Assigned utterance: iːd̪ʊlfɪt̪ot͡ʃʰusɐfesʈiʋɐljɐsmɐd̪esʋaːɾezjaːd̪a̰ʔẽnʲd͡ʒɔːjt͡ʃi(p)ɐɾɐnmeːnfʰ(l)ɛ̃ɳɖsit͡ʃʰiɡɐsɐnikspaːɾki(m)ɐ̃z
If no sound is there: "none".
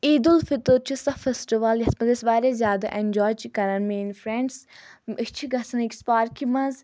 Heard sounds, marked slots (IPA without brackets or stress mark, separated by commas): k, ɾ, m